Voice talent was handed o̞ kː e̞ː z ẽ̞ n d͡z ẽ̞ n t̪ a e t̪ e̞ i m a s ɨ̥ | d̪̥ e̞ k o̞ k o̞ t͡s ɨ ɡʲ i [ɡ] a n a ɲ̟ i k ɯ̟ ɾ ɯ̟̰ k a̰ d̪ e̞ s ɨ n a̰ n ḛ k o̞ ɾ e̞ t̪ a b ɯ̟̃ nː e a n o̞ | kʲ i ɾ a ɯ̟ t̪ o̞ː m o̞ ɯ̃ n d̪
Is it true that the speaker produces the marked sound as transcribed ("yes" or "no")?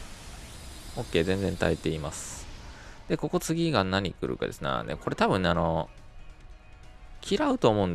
yes